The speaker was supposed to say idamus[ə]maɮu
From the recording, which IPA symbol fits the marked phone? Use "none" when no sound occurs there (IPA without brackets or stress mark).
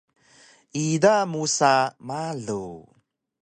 a